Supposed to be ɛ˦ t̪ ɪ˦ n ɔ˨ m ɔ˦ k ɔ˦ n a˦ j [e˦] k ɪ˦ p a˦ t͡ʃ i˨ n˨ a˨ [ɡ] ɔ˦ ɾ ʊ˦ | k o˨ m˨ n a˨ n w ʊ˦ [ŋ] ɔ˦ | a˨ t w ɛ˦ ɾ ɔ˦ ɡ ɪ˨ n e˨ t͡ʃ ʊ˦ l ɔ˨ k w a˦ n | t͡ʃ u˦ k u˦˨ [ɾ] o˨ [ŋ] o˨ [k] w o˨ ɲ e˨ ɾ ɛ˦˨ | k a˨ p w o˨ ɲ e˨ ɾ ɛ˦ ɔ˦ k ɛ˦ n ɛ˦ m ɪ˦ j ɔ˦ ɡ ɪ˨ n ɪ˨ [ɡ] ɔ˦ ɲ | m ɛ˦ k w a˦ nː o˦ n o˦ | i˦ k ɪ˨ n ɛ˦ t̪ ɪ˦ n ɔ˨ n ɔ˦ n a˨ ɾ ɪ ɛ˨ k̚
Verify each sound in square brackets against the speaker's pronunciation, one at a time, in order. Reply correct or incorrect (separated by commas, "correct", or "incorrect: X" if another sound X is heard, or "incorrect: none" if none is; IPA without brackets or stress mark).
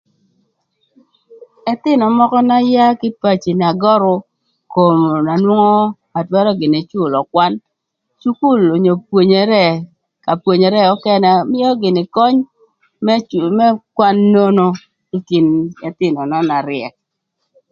incorrect: a˦, correct, correct, incorrect: l, incorrect: ɲ, incorrect: p, incorrect: k